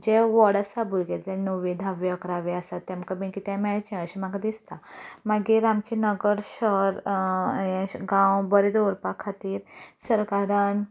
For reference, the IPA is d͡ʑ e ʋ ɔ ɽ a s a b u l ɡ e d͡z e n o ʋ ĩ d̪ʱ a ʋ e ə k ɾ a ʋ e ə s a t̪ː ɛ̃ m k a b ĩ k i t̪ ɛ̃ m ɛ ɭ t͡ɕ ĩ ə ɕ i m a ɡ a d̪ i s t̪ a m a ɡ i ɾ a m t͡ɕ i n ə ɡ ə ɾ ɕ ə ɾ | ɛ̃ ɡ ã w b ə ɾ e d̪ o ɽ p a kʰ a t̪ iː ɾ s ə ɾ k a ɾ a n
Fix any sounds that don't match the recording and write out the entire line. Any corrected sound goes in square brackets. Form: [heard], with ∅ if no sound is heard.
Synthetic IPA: d͡ʑ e ʋ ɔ ɽ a s a b u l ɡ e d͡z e n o ʋ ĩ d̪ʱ a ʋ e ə k ɾ a ʋ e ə s a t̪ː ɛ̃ m k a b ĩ k i t̪ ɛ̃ m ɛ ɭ t͡ɕ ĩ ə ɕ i m a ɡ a d̪ i s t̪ a m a ɡ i ɾ a m t͡ɕ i n ə ɡ ə ɾ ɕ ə ɾ | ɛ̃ ɡ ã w b ə ɾ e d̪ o [ɾ] p a kʰ a t̪ iː ɾ s ə ɾ k a ɾ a n